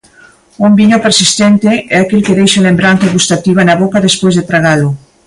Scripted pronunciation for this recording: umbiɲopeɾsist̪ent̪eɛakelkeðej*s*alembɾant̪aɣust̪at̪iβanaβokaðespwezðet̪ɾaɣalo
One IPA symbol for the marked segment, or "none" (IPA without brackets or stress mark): ʃ